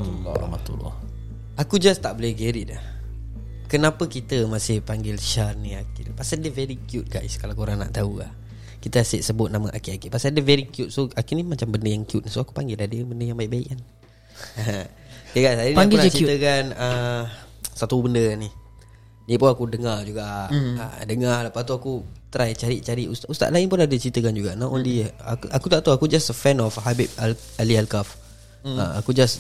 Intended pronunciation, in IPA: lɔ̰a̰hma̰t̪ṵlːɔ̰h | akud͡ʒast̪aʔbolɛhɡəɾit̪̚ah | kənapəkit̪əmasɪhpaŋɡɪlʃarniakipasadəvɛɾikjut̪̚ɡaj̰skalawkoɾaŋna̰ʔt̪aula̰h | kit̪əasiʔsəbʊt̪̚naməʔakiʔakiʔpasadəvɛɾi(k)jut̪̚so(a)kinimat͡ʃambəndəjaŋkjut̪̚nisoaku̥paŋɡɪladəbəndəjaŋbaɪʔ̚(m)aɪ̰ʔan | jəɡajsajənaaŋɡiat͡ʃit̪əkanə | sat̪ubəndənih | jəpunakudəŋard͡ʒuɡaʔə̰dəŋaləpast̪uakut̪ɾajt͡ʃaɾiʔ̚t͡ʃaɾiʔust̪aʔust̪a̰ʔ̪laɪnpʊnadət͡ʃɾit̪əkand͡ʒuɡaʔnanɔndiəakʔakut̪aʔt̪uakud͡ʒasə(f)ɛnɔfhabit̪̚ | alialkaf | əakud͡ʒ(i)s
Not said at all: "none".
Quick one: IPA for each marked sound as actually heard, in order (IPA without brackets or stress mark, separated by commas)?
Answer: k, a, b, f, a